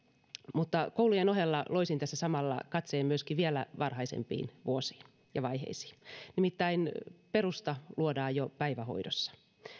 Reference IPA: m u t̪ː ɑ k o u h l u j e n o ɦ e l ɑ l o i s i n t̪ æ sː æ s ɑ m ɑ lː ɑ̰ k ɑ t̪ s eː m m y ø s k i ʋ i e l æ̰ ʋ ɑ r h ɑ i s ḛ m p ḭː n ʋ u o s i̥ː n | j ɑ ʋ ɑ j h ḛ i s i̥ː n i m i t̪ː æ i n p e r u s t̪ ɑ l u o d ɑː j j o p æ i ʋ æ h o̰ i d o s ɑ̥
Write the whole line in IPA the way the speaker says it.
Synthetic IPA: m u t̪ː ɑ k o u l u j e n o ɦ e lː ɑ l o i s i n t̪ æ sː æ s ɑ m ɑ lː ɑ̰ k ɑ t̪ s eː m m y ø s k i ʋ i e l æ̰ ʋ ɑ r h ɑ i s ḛ m p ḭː n ʋ u o s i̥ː n | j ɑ ʋ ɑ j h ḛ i s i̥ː n i m i t̪ː æ i n p e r u s t̪ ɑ l u o d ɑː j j o p æ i ʋ æ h o̰ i d o sː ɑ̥

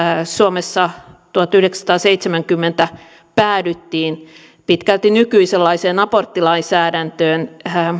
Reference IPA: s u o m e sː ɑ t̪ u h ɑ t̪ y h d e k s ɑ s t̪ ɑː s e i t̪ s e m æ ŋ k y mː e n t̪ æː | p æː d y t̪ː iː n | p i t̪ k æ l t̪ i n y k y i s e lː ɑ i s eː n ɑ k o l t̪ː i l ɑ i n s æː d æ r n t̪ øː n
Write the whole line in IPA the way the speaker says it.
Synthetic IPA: s u o m e sː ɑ t̪ u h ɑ t̪ y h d e k s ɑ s t̪ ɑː s e i t̪ s e m æ ŋ k y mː e n t̪ æ | p æː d y t̪ː iː n | p i t̪ k æ l t̪ i n y k y i s e lː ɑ i s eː n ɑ p o r t̪ː i l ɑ i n s æː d æ n t̪ øː n

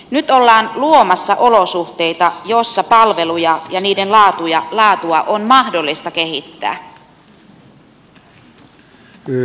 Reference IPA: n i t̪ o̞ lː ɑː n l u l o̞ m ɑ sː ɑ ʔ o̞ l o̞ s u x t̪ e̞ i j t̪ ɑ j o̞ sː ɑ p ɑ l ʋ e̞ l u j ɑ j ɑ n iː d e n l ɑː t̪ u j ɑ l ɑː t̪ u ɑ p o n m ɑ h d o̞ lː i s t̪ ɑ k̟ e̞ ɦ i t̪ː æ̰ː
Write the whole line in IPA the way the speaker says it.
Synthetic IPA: n y t̪ o̞ lː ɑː n l u o̞ m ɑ sː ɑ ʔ o̞ l o̞ s u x t̪ e̞ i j t̪ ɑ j o̞ sː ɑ p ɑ l ʋ e̞ l u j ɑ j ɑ n iː d e n l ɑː t̪ u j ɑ l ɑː t̪ u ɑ ʔ o n m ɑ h d o̞ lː i s t̪ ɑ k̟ e̞ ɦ i t̪ː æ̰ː

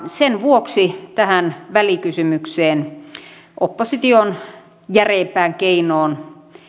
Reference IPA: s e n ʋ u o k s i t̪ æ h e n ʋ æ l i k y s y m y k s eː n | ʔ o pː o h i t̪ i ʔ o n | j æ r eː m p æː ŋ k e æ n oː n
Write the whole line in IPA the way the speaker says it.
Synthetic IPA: s e n ʋ u o k s i t̪ æ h æ n ʋ æ l i k y s y m y k s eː n | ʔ o pː o s i t̪ i o n | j æ r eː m p æː ŋ k e i n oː n

